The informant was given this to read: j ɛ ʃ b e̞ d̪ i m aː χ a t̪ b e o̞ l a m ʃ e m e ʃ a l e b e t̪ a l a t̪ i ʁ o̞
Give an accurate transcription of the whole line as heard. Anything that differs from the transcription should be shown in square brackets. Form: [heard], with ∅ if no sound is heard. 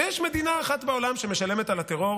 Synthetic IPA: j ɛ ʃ [m] e̞ d̪ i [n] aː χ a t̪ b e o̞ l a m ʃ e m e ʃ a l e [m] e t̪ a l a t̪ [e] ʁ o̞